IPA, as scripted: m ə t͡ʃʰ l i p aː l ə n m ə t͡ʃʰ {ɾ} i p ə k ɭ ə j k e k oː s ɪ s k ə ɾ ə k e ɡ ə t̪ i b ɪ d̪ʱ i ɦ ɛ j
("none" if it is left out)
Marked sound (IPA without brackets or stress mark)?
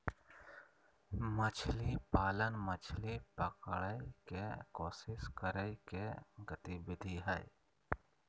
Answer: l